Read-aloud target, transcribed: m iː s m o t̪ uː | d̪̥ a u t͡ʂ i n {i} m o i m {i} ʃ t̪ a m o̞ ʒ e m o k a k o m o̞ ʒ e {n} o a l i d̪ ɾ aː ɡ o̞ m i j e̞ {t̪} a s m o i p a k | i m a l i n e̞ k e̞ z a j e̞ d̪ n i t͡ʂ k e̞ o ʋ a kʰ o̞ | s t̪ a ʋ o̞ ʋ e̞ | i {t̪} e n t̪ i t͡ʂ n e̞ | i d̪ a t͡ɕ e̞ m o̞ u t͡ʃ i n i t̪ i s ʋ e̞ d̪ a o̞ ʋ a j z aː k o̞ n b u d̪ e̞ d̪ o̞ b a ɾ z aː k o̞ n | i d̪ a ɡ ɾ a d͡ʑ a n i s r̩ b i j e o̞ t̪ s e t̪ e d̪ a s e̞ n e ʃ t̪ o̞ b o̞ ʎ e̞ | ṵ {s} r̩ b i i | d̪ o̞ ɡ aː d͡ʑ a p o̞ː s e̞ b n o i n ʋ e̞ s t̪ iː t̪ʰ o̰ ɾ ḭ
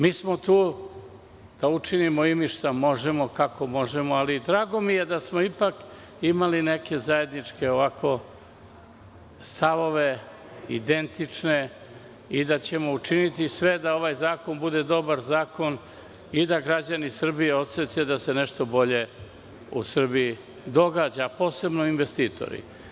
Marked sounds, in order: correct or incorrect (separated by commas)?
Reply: correct, correct, incorrect, incorrect, incorrect, correct